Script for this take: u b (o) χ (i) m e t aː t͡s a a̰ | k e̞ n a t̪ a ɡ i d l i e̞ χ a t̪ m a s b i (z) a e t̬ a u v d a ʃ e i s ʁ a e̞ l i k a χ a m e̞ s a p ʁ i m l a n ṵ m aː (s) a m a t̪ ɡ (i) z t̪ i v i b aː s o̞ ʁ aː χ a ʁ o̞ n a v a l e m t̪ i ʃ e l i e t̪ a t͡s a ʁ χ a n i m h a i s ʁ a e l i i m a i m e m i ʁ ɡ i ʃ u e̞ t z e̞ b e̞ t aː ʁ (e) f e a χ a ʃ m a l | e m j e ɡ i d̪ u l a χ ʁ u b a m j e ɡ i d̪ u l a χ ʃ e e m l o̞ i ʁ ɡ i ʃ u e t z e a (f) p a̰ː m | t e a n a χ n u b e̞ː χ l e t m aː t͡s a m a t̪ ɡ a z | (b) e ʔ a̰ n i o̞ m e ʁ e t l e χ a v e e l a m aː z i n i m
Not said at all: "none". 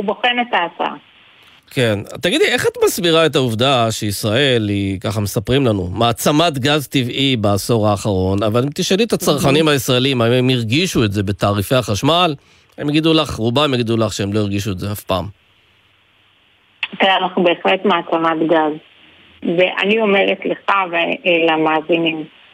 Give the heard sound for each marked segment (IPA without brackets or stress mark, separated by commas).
o, e, ʁ, t͡s, a, i, f, v